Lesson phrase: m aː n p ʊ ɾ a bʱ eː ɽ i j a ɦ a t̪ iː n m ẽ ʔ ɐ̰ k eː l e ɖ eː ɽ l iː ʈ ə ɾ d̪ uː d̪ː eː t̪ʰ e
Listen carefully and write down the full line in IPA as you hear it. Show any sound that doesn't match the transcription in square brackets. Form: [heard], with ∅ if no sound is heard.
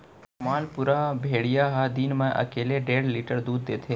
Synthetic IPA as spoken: m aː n p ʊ ɾ a bʱ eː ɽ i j a ɦ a [d̪] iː n m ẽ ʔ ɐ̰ k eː l e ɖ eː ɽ l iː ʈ ə ɾ d̪ uː d̪ː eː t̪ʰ e